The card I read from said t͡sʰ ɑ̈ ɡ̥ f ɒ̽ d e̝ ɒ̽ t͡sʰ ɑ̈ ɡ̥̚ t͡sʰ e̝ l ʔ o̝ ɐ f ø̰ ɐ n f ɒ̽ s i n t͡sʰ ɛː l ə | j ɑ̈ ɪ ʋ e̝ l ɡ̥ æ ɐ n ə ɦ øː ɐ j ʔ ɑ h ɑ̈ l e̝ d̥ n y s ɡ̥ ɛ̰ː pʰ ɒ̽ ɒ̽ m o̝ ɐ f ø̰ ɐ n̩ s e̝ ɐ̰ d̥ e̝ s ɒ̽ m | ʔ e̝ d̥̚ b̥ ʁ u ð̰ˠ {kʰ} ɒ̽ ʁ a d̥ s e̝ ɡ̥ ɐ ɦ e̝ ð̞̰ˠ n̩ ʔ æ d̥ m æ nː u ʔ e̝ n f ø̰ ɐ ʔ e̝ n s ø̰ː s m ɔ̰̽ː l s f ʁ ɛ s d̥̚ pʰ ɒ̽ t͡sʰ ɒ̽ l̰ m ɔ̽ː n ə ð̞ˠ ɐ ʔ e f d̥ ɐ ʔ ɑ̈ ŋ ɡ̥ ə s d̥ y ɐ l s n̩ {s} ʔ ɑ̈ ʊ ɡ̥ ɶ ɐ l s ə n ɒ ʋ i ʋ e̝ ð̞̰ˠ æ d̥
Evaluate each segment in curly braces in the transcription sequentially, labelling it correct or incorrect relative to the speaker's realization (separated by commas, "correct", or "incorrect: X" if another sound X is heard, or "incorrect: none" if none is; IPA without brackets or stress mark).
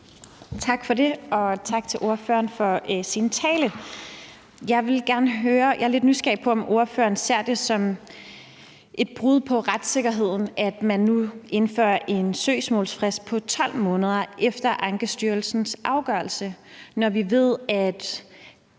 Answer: incorrect: pʰ, correct